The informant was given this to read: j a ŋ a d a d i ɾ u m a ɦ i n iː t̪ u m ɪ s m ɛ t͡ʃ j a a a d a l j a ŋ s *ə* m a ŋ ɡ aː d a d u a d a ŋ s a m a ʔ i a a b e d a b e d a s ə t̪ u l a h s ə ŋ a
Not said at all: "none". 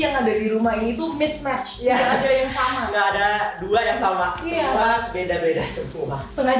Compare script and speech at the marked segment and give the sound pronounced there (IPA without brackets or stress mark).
a